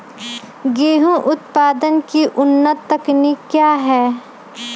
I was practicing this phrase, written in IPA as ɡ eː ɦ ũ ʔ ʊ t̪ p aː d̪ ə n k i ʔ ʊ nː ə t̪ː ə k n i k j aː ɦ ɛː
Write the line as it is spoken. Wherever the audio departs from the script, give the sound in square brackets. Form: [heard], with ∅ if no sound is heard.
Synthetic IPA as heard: ɡ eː ɦ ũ ʔ ʊ t̪ p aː d̪ ə n k i ʔ ʊ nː ə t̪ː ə k n i k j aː ɦ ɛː

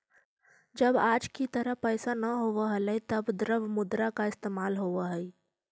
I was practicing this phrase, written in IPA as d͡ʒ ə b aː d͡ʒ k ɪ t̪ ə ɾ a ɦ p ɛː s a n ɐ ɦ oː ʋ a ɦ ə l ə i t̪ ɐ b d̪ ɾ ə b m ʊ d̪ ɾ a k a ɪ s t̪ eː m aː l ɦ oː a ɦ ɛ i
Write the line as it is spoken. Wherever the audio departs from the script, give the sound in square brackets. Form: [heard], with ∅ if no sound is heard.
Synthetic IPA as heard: d͡ʒ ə b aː d͡ʒ k [i] t̪ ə ɾ [ə] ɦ p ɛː s a n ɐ ɦ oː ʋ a ɦ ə l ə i t̪ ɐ b d̪ ɾ ə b m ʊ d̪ ɾ a k a ɪ s t̪ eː m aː l ɦ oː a ɦ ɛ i

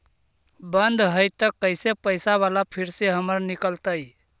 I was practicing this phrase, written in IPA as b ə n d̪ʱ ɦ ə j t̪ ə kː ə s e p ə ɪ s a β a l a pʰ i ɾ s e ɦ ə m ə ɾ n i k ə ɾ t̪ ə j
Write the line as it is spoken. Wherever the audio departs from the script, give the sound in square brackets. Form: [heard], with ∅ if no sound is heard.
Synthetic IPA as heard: b ə n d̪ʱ ɦ ə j t̪ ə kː ə s e p ə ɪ s a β a l a pʰ i ɾ s e ɦ ə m ə ɾ n i k ə [l] t̪ ə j

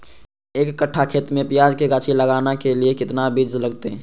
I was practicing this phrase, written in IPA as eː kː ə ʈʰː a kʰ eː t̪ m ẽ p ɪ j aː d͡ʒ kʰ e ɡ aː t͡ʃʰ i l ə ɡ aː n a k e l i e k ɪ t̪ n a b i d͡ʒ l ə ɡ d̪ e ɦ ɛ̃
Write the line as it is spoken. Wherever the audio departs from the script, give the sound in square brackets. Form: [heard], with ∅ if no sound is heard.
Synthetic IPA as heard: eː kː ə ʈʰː a kʰ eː t̪ m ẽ p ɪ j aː d͡ʒ [k] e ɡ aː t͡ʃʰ i l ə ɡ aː n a k e l i e k ɪ t̪ n a b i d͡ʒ l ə ɡ [t̪] e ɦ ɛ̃

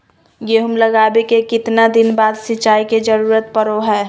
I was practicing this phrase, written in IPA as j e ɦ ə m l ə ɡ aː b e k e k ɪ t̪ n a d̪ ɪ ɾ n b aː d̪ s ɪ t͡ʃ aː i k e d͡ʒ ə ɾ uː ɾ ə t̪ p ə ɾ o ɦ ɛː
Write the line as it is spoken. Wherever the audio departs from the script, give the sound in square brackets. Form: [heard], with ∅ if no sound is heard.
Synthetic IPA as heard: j e ɦ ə m l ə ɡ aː b e k e k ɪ t̪ n a d̪ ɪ [∅] n b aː d̪ s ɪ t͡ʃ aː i k e d͡ʒ ə ɾ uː ɾ ə t̪ p ə ɾ o ɦ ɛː

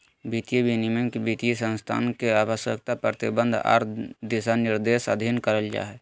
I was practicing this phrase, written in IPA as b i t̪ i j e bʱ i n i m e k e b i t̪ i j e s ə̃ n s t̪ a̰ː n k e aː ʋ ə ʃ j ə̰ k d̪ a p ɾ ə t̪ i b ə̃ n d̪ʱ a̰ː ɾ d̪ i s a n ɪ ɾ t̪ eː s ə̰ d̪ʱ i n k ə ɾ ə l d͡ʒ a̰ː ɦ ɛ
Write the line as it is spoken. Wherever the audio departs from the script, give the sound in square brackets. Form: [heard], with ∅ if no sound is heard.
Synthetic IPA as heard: b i t̪ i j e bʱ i n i m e k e b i t̪ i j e s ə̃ n s [t̪ʰ] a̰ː n k e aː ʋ ə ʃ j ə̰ k [t̪] a p ɾ ə t̪ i b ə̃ n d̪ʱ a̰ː ɾ d̪ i s a n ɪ ɾ [d̪] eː s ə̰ d̪ʱ i n k ə ɾ ə l d͡ʒ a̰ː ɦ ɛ

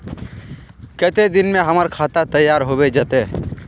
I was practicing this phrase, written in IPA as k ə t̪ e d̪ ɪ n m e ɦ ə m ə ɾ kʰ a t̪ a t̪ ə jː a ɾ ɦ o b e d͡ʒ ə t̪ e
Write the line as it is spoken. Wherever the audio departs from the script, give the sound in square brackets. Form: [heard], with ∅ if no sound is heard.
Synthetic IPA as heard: k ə t̪ e d̪ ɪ n m e ɦ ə m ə ɾ kʰ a t̪ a t̪ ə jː a ɾ ɦ o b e d͡ʒ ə t̪ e

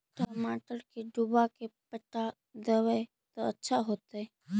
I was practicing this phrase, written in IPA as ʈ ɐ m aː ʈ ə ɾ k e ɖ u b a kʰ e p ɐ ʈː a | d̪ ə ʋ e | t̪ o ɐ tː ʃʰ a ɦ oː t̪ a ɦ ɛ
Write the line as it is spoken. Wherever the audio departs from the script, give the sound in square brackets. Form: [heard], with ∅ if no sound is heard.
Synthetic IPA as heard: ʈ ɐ m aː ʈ ə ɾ k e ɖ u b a [k] e p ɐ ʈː a | d̪ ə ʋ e | t̪ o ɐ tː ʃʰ a ɦ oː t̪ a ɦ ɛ

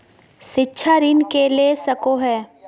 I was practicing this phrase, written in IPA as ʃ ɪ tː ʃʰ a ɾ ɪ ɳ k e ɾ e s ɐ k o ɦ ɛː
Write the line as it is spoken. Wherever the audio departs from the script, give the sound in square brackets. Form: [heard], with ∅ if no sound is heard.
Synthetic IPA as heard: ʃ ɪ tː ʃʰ a ɾ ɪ [n] k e [l] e s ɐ k o ɦ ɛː

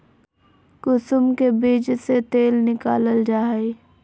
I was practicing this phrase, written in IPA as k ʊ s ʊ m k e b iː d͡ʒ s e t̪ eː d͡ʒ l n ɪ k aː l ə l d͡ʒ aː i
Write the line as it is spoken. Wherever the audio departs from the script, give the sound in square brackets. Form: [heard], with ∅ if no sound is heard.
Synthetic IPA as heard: k ʊ s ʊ m k e b iː d͡ʒ s e t̪ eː [∅] l n ɪ k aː l ə l d͡ʒ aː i

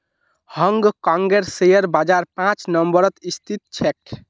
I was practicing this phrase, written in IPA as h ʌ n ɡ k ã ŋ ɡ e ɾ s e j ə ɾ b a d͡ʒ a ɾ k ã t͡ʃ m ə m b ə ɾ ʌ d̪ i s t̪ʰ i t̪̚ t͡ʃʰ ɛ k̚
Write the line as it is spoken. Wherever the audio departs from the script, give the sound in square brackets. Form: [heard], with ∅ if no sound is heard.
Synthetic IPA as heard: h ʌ [ŋ] ɡ k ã ŋ ɡ e ɾ s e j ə ɾ b a d͡ʒ a ɾ [p] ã t͡ʃ [n] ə m b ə ɾ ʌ [t̪] i s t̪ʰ i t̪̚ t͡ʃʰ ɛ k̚

